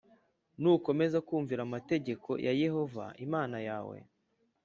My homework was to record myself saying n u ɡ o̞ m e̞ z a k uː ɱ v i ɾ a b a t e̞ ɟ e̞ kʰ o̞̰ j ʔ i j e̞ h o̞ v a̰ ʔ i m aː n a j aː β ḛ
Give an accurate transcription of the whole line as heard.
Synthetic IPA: n u k o̞ m e̞ z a k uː ɱ v i ɾ a m a t e̞ ɟ e̞ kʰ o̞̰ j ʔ a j e̞ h o̞ v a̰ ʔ i m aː n a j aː w ḛ